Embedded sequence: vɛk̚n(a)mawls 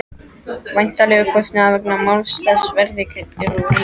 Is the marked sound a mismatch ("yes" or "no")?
no